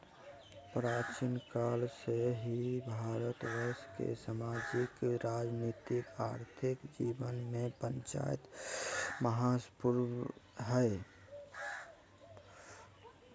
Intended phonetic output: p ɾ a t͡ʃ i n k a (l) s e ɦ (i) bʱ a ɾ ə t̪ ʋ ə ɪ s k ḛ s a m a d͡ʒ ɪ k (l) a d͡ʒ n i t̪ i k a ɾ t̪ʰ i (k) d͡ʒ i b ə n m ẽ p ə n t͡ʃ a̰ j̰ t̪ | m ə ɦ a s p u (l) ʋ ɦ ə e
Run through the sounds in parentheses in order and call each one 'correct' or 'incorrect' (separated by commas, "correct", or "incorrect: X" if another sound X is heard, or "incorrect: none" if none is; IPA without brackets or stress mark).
correct, correct, incorrect: ɾ, correct, incorrect: ɾ